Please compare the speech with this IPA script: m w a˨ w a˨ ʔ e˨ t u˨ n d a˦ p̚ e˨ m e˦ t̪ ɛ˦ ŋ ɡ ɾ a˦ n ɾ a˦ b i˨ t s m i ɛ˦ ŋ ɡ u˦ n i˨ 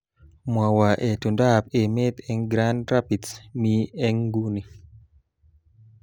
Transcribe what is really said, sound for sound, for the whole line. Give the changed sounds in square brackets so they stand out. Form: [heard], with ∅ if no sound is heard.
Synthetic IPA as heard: m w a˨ w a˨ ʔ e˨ t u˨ n d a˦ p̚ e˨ m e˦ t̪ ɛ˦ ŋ ɡ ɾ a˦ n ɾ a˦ [p] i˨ t s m i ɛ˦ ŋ ɡ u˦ n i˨